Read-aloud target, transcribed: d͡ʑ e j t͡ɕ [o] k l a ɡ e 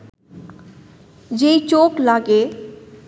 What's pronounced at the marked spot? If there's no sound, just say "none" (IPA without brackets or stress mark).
o